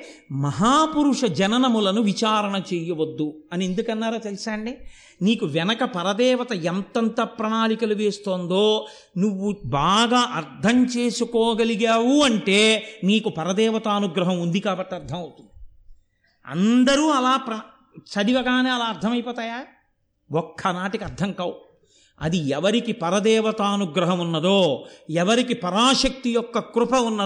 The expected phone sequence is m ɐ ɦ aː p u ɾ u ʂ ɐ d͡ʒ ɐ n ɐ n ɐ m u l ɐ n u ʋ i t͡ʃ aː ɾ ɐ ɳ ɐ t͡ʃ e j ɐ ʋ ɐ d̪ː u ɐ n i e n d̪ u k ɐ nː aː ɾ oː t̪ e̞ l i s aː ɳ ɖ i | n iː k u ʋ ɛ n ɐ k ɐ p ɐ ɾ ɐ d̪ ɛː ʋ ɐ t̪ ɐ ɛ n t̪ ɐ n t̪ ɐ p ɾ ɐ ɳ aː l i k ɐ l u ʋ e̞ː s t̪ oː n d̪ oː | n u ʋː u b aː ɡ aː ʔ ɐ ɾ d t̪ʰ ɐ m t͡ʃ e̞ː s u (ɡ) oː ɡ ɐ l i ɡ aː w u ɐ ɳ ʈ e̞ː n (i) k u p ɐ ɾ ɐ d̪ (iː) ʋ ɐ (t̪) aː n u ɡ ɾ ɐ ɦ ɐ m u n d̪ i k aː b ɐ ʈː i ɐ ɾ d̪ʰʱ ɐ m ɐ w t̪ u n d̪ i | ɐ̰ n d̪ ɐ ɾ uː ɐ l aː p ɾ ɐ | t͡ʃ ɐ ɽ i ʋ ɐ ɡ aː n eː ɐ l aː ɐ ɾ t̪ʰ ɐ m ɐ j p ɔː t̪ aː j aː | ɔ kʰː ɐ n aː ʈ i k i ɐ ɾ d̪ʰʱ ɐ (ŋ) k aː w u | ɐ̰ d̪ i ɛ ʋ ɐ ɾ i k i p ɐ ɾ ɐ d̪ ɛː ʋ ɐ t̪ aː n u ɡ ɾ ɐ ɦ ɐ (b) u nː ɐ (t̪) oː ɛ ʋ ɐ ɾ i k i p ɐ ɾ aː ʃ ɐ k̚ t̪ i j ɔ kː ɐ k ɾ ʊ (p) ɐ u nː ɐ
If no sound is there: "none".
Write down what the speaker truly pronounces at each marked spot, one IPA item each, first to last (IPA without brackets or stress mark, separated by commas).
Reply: k, iː, ɛː, t̪, ŋ, m, d̪, p